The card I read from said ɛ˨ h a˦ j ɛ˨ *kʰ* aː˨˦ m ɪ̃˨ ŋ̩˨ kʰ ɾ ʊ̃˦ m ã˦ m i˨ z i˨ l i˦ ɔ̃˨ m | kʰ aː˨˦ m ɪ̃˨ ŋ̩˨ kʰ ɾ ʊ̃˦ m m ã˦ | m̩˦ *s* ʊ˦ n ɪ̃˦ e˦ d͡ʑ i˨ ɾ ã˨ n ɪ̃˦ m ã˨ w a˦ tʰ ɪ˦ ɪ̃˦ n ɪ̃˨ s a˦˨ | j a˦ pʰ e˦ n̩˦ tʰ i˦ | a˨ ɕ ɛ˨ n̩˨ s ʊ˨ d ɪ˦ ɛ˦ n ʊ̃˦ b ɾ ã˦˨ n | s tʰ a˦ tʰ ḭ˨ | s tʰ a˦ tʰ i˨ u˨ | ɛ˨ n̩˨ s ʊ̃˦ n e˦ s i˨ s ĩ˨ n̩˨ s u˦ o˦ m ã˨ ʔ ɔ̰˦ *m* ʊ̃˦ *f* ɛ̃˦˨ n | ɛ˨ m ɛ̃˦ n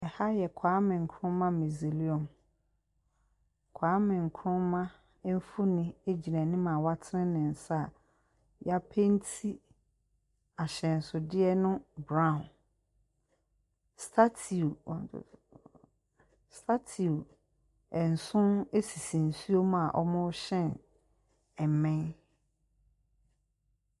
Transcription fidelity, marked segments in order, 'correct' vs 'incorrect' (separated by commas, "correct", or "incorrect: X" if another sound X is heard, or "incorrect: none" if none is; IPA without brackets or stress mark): correct, incorrect: f, correct, incorrect: ɕ